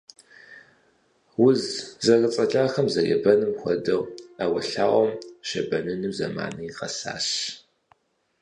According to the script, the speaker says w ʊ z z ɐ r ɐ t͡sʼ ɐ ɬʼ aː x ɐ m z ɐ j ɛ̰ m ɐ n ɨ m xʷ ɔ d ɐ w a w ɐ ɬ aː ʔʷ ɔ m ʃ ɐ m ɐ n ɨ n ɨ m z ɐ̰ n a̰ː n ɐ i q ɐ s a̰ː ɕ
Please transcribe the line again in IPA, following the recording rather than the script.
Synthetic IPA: w ʊ z z ɐ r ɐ t͡sʼ ɐ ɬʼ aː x ɐ m z ɐ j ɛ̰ b ɐ n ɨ m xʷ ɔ d ɐ w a w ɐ ɬ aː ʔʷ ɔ m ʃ ɐ b ɐ n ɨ n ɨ m z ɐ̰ m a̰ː n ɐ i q ɐ s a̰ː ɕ